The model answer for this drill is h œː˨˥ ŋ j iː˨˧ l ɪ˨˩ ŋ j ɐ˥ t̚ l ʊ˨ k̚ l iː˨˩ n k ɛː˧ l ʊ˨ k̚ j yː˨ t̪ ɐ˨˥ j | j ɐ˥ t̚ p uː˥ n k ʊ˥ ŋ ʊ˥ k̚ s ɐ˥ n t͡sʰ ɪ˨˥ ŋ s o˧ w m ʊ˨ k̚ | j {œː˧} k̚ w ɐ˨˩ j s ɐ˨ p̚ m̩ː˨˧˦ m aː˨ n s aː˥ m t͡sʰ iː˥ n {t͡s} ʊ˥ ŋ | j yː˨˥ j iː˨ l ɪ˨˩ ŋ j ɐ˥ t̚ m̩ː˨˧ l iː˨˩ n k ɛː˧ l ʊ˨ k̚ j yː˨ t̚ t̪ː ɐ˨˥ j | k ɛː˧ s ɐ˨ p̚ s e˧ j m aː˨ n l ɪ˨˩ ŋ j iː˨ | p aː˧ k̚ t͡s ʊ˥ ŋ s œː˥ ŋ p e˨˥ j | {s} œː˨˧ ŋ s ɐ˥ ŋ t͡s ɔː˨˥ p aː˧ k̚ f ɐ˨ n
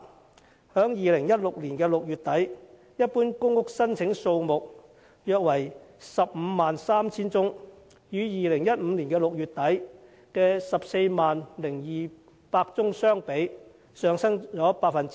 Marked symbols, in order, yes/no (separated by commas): yes, yes, yes